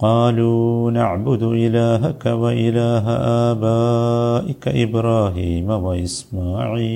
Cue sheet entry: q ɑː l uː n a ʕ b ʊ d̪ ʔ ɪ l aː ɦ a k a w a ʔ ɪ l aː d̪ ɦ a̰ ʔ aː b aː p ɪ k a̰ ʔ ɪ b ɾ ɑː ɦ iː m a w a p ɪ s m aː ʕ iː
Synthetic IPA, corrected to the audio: q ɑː l uː n a ʕ b ʊ d̪ ʔ ɪ l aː ɦ a k a w a ʔ ɪ l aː ɦ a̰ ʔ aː b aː ʔ ɪ k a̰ ʔ ɪ b ɾ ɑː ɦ iː m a w a ʔ ɪ s m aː ʕ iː